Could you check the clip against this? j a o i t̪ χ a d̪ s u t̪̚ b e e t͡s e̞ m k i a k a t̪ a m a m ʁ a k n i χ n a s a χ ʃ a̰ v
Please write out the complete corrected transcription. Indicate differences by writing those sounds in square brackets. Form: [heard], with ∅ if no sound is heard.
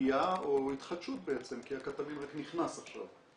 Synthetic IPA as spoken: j a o i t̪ χ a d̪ [ʃ] u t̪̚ b e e t͡s e̞ m k i a k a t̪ a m [i] m ʁ a k n i χ n a s a χ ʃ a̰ v